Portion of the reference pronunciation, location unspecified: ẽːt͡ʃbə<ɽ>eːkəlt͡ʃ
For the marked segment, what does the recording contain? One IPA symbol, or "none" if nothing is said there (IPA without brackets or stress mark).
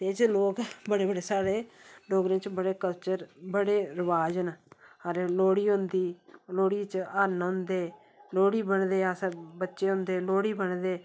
ɽ